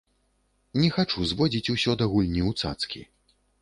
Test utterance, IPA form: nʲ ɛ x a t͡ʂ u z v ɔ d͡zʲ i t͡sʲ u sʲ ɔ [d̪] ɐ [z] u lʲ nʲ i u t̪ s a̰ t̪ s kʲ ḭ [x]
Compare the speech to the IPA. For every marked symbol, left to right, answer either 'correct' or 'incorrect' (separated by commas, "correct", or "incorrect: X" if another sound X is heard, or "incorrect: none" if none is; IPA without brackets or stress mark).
correct, incorrect: ɣ, incorrect: none